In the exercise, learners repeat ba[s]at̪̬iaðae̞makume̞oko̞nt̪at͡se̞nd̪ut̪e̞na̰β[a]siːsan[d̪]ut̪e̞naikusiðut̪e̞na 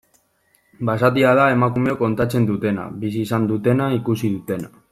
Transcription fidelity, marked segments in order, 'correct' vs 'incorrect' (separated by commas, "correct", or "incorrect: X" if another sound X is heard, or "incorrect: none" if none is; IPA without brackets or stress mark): correct, incorrect: i, correct